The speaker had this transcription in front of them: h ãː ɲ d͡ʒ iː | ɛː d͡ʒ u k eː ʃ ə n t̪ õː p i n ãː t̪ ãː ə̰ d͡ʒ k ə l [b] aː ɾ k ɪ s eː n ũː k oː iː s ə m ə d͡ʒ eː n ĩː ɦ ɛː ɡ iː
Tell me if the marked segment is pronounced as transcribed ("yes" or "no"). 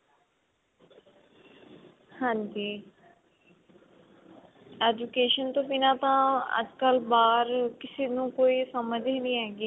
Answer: yes